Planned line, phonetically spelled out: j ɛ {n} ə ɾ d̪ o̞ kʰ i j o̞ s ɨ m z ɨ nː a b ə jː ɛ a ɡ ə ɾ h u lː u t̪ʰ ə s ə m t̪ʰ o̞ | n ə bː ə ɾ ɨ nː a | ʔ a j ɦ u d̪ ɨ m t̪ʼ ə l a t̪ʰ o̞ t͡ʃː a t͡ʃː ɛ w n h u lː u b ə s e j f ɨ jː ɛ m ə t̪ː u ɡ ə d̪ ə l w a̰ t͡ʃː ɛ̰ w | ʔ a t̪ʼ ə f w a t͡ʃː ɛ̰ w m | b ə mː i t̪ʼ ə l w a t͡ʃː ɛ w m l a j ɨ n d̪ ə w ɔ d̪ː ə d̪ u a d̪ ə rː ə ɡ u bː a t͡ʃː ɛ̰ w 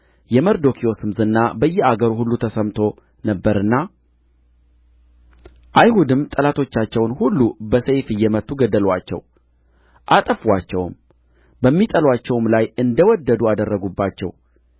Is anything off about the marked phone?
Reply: yes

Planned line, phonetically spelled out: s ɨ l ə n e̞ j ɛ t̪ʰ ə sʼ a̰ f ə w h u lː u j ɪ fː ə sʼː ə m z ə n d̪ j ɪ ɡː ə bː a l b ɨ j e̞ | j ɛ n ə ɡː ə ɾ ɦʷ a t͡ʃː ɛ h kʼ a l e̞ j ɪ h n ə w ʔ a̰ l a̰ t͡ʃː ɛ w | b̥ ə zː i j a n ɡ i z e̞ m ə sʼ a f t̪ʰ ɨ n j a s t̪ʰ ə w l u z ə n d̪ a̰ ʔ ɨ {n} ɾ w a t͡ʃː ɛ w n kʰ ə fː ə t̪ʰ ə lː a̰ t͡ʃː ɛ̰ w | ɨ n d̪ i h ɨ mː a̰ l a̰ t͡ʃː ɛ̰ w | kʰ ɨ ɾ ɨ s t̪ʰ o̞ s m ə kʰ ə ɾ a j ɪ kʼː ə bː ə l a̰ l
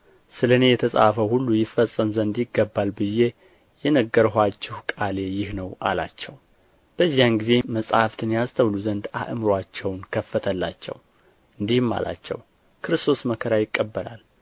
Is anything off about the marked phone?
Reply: yes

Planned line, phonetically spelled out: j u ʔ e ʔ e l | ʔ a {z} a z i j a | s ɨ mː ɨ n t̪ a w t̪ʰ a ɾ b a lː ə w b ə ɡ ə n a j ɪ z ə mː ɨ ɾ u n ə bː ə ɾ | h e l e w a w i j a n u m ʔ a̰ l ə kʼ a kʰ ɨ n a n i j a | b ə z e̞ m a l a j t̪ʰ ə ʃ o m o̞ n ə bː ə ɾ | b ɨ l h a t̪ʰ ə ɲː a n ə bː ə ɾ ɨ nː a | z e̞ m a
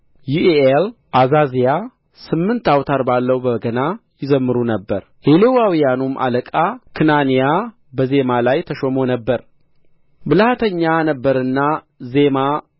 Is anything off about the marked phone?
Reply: no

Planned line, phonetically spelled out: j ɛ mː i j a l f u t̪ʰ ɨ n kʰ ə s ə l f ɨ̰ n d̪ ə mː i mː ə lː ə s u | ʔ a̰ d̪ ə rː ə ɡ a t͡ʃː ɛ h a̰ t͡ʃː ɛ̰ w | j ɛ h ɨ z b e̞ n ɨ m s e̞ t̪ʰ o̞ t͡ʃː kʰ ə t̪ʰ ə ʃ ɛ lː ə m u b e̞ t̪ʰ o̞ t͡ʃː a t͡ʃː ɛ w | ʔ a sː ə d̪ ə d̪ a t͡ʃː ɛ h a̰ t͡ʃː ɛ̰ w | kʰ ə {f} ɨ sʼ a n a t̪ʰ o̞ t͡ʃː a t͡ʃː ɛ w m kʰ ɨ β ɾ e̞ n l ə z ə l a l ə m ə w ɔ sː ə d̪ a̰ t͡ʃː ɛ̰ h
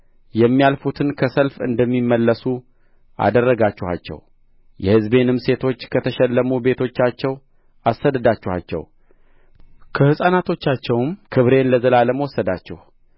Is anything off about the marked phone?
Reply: yes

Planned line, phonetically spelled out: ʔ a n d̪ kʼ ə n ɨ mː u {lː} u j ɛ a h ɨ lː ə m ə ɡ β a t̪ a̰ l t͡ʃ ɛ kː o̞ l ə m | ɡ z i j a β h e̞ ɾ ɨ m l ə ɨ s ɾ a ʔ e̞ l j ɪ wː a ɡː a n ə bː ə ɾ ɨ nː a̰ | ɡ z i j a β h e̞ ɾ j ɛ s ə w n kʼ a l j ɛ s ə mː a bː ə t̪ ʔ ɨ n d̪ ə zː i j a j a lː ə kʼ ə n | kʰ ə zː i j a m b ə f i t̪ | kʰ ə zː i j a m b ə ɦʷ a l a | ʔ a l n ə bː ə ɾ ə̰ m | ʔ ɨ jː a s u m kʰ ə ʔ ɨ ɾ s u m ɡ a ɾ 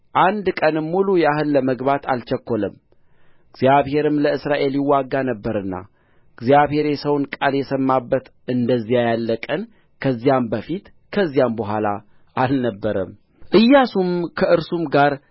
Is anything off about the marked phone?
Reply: yes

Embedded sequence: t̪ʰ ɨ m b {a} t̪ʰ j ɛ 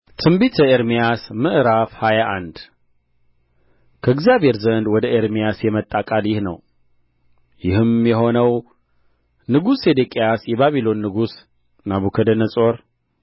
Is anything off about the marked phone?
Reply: yes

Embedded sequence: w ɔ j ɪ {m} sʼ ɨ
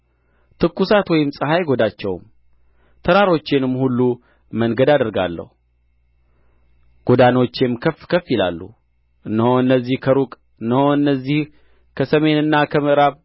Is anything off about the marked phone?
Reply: no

